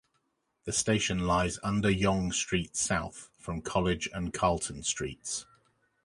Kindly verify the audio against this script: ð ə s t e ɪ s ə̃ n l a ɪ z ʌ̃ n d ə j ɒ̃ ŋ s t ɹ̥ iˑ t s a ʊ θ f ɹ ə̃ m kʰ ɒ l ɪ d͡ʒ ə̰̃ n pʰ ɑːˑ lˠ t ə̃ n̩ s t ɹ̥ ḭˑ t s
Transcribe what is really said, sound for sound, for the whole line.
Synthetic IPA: ð ə s t e ɪ ʃ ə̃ n l a ɪ z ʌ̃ n d ə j ɒ̃ ŋ s t ɹ̥ iˑ t s a ʊ θ f ɹ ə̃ m kʰ ɒ l ɪ d͡ʒ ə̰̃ n kʰ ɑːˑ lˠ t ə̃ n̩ s t ɹ̥ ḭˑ t s